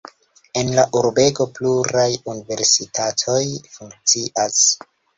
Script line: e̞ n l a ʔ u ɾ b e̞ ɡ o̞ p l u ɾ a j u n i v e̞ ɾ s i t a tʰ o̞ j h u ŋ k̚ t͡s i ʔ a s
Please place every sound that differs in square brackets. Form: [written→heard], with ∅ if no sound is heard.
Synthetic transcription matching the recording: e̞ n l a ʔ u ɾ b e̞ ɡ o̞ p l u ɾ a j u n i v e̞ ɾ s i t a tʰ o̞ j [h→f] u ŋ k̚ t͡s i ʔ a s